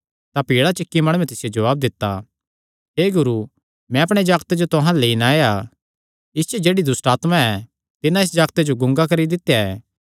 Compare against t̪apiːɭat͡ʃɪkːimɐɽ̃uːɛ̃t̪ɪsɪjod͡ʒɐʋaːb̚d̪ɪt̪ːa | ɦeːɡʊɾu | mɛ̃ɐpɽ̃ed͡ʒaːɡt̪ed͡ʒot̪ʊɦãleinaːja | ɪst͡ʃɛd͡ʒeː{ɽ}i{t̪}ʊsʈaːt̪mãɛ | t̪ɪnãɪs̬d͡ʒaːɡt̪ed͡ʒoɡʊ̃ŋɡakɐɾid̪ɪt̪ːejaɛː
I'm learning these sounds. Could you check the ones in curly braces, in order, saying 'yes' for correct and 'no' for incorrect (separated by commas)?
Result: yes, no